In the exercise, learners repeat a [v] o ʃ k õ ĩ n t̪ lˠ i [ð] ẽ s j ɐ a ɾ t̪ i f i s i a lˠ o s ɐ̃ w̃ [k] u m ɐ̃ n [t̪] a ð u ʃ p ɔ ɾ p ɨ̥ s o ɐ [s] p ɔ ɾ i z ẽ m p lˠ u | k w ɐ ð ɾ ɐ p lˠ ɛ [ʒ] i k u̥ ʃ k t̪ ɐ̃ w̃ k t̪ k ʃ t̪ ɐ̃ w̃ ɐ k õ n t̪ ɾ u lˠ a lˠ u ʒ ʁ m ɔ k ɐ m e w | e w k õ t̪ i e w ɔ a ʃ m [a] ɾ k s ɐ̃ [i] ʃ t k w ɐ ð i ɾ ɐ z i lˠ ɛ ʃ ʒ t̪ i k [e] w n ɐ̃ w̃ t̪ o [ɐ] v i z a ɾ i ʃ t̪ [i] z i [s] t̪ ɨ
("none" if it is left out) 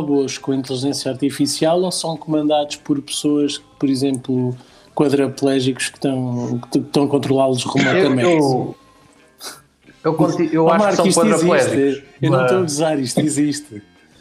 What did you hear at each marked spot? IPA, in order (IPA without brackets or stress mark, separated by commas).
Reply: β, ʒ, k, d̪, ʃ, ʒ, a, i, e, ɐ, i, ʃ